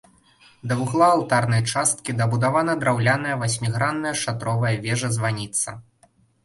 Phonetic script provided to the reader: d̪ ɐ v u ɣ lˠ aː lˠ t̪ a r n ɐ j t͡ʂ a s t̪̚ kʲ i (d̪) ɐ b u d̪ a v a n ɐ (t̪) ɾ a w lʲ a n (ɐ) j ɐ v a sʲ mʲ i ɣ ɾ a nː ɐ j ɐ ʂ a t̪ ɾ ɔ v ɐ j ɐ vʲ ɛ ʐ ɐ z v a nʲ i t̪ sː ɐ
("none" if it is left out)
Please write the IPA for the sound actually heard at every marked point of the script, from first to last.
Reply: d̪, d̪, ɐ

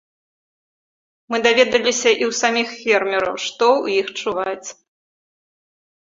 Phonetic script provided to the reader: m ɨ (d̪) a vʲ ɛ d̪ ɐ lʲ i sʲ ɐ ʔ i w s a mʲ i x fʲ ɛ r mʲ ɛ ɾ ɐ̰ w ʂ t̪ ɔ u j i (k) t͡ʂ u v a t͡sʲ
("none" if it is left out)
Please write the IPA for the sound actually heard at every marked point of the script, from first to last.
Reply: d̪, x

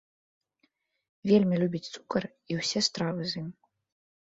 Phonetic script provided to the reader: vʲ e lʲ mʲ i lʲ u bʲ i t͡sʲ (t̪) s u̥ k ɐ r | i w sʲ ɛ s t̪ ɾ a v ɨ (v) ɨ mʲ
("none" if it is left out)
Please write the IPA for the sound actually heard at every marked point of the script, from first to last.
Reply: t̪, z

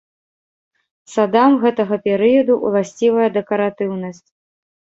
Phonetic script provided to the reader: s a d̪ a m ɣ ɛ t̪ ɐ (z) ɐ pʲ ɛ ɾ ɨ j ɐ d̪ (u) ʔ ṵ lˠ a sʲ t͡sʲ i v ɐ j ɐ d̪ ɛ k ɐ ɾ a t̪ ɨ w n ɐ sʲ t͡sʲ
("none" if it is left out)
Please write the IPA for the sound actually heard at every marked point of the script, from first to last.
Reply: ɣ, u

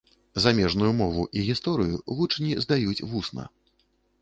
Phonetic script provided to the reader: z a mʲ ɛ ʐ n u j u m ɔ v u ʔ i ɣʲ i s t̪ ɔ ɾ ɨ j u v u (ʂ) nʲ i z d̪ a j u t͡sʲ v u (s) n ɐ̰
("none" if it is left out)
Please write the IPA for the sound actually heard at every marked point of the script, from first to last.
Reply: t͡ʂ, s

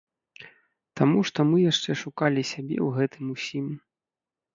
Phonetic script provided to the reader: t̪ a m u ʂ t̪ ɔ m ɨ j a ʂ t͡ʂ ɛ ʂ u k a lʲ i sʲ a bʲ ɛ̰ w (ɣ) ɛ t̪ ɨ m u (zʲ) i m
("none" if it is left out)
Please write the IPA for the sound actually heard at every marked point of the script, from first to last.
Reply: ɣ, sʲ

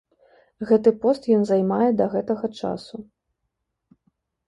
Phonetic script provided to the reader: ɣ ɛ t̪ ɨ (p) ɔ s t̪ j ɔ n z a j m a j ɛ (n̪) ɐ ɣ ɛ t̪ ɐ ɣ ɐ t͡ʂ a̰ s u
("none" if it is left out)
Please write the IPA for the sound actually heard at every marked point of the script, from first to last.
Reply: p, d̪

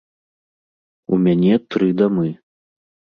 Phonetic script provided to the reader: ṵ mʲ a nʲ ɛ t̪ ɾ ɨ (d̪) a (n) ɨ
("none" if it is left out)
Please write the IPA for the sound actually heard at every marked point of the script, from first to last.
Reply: d̪, m

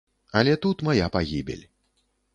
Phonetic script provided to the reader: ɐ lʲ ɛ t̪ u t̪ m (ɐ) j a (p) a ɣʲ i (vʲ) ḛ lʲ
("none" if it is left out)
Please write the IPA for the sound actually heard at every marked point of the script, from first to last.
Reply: a, p, bʲ

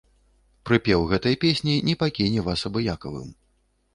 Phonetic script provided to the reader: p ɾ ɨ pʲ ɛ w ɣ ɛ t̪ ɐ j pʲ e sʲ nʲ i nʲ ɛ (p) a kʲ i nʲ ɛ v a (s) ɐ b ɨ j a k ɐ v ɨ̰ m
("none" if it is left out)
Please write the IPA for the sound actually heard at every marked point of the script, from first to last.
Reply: p, s

